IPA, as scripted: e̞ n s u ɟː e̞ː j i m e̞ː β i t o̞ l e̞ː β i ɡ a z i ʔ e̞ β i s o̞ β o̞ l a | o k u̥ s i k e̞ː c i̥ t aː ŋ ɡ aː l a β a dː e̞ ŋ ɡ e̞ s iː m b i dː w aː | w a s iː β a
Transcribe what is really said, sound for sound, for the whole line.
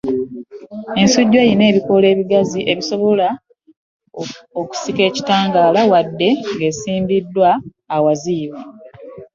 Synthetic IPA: e̞ n s u ɟː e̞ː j i n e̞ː β i k o̞ l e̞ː β i ɡ a z i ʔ e̞ β i s o̞ β o̞ l a | o k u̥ s i k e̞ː c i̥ t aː ŋ ɡ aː l a w a dː e̞ ŋ ɡ e̞ s iː m b i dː w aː | w a z iː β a